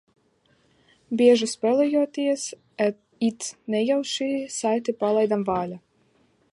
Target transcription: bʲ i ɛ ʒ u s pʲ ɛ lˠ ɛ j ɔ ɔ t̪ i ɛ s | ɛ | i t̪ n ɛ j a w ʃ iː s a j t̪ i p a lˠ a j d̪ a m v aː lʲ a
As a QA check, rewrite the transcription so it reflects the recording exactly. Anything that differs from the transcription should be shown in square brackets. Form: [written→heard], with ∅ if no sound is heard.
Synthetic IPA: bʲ i ɛ ʒ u s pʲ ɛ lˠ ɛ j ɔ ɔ t̪ i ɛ s | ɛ | i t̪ n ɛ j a w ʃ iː s a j t̪ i p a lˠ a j d̪ a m v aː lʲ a